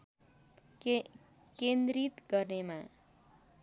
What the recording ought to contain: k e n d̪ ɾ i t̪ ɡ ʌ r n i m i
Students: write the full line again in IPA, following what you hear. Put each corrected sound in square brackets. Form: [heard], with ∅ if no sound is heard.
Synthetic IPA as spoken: k e n d̪ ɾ i t̪ ɡ ʌ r n [e] m [a]